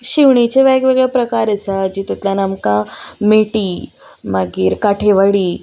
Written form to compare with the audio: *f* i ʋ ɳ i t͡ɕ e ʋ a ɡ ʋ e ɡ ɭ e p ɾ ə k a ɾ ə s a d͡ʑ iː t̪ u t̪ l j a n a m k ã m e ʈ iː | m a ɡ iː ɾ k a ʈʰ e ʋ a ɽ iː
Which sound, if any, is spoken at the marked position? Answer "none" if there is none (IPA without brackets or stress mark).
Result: ɕ